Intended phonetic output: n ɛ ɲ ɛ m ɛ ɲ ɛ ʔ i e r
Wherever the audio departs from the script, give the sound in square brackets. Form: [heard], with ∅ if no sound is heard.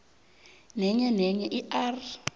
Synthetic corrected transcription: n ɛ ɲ ɛ [n] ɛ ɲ ɛ ʔ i [a] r